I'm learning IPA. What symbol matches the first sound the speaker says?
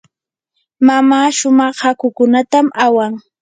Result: m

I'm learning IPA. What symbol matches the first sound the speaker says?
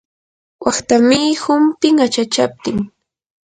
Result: w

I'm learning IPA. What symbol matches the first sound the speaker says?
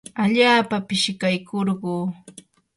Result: a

